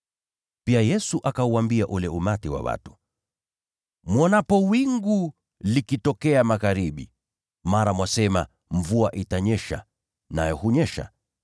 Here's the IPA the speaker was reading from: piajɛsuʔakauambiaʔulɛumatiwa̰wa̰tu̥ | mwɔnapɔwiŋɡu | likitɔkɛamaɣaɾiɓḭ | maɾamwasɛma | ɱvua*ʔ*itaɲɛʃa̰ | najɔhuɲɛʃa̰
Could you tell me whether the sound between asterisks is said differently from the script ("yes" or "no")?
no